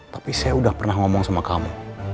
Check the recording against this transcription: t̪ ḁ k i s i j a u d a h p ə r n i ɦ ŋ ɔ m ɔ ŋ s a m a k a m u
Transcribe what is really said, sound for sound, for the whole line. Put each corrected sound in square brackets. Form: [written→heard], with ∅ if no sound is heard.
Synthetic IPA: t̪ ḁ [k→p] i s [i→a] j a u d a h p ə r n [i→a] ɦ ŋ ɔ m ɔ ŋ s a m a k a m u